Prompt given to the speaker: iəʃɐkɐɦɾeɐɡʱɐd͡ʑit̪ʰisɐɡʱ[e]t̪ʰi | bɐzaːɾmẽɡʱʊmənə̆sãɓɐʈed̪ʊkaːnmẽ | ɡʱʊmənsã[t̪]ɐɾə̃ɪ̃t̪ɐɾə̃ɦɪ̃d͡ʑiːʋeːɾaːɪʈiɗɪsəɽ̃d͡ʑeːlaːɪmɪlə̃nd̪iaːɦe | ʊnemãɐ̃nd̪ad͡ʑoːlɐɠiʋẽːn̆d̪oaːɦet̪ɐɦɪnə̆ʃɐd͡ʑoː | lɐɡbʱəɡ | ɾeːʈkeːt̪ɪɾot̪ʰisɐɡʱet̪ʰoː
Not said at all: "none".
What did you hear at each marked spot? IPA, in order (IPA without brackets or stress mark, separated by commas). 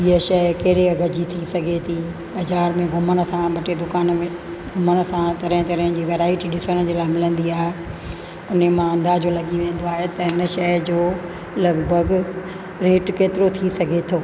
e, t̪